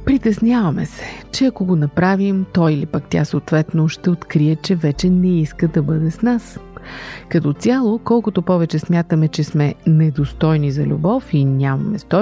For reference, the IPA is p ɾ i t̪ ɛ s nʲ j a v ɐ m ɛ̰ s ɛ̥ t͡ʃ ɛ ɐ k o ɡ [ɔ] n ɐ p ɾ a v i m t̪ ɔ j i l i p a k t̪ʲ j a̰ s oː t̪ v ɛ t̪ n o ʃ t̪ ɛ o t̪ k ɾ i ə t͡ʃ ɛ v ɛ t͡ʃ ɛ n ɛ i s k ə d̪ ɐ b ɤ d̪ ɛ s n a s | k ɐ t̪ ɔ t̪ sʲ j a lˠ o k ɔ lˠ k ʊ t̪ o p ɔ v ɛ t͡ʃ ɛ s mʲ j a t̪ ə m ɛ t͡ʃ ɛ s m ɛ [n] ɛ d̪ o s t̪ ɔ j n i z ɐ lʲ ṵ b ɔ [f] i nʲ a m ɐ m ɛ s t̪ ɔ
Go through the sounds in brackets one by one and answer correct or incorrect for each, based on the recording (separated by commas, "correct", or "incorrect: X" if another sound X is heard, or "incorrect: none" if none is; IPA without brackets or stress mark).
incorrect: o, correct, correct